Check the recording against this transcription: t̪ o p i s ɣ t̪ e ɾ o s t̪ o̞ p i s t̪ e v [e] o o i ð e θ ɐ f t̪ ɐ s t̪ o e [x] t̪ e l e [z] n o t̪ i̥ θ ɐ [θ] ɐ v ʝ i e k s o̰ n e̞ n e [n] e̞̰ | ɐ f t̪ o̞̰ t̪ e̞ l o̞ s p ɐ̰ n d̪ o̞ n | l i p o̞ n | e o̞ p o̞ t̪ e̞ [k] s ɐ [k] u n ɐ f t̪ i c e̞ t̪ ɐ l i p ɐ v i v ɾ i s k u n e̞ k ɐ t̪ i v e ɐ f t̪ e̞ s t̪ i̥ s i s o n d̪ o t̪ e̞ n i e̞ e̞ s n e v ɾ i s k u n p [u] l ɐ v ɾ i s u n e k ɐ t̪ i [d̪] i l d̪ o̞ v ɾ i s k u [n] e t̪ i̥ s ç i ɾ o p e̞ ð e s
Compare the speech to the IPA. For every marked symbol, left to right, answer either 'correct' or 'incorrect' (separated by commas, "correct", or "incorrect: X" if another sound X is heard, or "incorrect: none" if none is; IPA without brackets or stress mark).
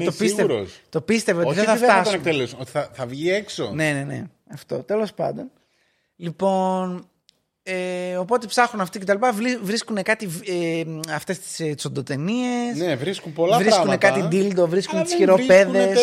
correct, incorrect: k, incorrect: s, correct, correct, incorrect: p, incorrect: x, incorrect: o, correct, correct